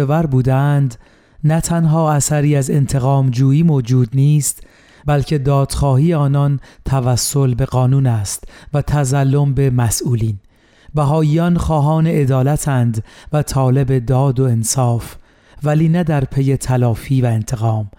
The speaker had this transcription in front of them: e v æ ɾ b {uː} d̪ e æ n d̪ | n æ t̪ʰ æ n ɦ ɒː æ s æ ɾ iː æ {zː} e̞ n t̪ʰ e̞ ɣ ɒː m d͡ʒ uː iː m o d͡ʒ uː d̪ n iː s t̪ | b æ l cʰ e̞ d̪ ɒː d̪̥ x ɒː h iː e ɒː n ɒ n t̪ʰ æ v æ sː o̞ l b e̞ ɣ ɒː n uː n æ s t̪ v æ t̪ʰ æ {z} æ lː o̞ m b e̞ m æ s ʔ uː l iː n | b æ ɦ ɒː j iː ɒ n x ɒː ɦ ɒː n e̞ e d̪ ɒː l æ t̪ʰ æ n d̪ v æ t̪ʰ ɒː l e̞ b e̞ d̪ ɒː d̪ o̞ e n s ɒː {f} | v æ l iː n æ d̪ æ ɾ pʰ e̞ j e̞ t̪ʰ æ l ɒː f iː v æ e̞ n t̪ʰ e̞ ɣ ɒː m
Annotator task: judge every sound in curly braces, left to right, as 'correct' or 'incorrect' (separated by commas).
correct, incorrect, correct, correct